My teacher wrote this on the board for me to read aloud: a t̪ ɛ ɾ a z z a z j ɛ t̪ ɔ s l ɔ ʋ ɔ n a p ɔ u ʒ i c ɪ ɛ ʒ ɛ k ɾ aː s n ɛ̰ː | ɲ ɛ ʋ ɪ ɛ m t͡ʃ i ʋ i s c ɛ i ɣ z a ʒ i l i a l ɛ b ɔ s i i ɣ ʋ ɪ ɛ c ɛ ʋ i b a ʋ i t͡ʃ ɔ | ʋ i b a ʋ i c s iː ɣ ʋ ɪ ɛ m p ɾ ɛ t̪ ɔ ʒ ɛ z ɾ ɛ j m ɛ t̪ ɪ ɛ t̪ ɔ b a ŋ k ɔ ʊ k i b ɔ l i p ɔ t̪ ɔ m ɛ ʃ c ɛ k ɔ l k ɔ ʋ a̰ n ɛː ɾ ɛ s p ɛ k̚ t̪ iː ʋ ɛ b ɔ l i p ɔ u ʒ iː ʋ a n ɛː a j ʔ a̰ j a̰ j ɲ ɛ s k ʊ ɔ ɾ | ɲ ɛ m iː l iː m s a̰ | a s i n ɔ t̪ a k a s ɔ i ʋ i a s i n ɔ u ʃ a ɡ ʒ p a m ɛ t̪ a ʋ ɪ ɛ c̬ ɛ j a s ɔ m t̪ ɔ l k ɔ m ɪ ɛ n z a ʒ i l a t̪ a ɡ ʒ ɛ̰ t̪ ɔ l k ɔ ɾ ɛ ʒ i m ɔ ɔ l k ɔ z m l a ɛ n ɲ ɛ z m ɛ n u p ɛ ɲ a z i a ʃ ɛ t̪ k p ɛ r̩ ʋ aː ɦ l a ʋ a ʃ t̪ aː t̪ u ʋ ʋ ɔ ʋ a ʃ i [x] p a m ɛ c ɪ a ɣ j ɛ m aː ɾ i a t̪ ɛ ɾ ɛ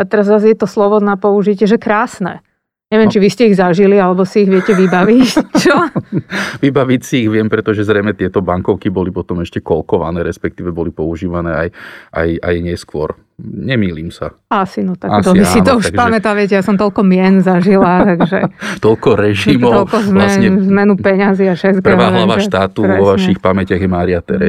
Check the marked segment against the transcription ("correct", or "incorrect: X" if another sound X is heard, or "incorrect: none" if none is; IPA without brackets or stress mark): correct